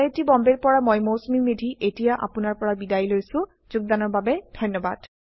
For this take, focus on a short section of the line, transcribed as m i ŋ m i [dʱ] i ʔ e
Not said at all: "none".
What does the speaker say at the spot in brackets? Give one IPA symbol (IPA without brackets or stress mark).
dʱ